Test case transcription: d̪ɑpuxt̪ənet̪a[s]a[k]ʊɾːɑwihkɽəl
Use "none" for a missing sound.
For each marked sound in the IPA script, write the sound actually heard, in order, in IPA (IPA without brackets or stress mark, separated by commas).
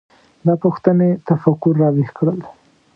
f, k